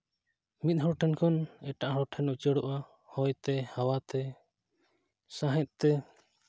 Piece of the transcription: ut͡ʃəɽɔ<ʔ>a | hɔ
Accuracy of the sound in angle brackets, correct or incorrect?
correct